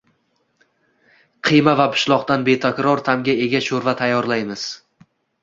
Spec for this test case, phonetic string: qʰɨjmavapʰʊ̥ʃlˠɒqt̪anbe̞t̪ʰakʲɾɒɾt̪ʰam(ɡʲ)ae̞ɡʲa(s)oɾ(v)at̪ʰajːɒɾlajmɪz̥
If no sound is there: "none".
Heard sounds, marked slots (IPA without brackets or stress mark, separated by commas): ɡʲ, ʃ, v